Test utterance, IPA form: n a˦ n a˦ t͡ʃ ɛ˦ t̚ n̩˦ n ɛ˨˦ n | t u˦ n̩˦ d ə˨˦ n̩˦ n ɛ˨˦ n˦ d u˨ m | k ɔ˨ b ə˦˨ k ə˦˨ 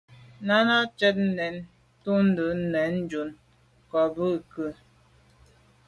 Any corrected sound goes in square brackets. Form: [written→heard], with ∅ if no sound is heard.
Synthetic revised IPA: n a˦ n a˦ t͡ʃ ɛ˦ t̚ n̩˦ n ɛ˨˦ n | t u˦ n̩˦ d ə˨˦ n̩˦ n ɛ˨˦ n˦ [d→d͡ʒ] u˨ [m→n] | k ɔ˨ b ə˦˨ k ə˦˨